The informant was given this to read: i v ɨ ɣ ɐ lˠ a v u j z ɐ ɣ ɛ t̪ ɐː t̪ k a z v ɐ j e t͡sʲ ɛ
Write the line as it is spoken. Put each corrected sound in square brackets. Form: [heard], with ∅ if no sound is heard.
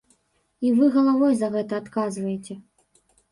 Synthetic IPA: i v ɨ ɣ ɐ lˠ a v [ɔ] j z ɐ ɣ ɛ t̪ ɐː t̪ k a z v ɐ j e t͡sʲ ɛ